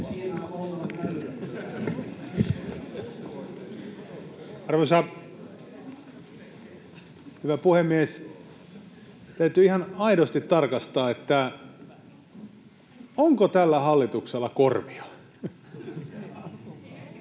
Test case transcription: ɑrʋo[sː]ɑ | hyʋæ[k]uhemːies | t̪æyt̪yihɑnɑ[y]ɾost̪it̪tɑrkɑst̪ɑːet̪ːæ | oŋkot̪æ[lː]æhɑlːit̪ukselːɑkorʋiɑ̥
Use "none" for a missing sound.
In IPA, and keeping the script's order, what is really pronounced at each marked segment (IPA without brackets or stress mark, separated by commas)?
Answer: s, p, i, lː